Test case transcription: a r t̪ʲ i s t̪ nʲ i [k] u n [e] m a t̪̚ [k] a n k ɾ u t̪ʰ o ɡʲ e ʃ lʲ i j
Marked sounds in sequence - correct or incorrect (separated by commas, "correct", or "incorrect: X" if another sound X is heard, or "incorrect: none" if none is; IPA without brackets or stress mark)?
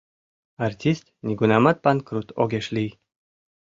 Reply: incorrect: ɡ, incorrect: a, incorrect: p